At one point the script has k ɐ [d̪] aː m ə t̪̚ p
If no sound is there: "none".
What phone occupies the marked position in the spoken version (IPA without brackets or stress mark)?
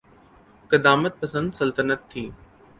d̪